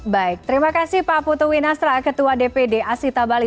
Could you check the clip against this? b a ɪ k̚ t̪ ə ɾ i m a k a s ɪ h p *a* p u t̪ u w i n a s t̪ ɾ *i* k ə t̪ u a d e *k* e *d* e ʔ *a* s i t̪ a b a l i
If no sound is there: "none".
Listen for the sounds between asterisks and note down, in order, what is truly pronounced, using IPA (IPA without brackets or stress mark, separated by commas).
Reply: a, a, p, d, a